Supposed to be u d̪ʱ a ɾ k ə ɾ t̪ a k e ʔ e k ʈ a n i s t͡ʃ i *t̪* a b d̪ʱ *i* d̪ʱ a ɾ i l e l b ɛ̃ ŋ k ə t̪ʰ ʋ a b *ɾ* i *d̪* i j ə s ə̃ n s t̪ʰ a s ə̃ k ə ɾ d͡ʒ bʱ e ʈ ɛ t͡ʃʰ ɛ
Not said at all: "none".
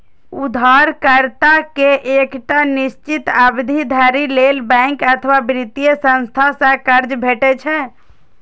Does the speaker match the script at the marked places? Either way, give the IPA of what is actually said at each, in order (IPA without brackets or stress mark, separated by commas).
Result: t̪, i, ɾ, t̪